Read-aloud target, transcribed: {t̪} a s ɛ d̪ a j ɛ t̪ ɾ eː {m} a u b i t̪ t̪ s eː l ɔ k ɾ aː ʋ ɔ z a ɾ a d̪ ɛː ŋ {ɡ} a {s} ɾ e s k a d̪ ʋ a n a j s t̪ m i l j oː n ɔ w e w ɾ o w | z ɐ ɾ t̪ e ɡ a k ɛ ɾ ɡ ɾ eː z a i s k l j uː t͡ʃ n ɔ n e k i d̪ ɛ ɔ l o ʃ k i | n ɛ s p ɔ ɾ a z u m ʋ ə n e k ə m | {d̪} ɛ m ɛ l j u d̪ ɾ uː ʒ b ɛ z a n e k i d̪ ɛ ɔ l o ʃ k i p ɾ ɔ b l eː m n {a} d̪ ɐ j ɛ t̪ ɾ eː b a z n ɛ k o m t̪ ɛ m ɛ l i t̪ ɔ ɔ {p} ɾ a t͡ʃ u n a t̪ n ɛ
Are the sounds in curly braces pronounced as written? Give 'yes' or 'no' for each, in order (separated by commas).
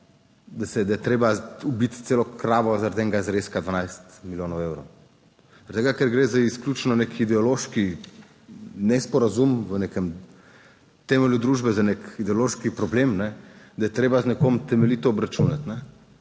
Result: no, no, yes, no, no, no, no